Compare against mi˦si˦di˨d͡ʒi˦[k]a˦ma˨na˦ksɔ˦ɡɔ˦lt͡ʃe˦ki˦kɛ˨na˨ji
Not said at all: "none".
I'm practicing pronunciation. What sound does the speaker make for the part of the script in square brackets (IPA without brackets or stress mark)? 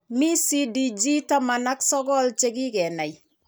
t